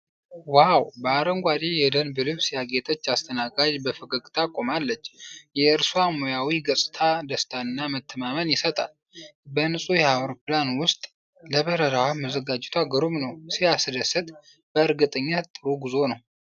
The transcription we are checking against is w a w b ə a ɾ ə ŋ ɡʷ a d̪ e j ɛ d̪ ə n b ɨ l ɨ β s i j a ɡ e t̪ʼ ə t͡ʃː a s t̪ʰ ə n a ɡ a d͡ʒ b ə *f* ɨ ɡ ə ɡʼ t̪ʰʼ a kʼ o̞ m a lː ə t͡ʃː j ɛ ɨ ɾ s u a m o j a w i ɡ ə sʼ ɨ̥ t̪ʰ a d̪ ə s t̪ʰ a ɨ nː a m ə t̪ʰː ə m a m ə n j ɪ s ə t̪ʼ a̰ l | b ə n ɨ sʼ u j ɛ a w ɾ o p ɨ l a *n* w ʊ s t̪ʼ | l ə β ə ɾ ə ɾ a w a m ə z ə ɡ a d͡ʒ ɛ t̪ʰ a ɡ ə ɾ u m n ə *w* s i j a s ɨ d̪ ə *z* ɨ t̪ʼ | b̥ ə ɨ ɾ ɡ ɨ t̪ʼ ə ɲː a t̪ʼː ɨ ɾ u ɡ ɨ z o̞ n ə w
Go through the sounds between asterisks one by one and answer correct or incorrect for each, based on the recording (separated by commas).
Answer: correct, correct, correct, incorrect